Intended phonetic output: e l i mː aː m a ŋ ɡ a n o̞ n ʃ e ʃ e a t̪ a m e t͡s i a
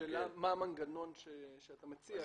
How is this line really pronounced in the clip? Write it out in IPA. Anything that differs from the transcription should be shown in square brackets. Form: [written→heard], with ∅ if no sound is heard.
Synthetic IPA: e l [i→a] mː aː m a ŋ ɡ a n o̞ n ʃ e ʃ e a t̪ a m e t͡s i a